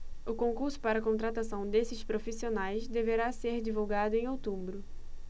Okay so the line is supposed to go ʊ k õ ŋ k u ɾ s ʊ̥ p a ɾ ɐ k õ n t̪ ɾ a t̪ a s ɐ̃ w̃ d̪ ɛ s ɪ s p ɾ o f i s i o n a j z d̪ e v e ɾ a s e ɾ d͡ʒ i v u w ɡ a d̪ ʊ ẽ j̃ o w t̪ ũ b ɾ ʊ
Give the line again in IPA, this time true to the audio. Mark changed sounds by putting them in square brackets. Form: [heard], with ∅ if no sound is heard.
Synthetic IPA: ʊ k õ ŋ k u ɾ s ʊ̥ p a ɾ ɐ k õ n t̪ ɾ a t̪ a s ɐ̃ w̃ d̪ [e] s ɪ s p ɾ o f i s i o n a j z d̪ e v e ɾ a s e ɾ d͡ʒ i v u w ɡ a d̪ ʊ ẽ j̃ o w t̪ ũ b ɾ ʊ